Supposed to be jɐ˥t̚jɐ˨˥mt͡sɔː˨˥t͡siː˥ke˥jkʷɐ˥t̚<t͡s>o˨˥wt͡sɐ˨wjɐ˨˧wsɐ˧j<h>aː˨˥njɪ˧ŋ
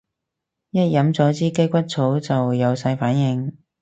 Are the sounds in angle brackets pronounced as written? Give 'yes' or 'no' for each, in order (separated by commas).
no, no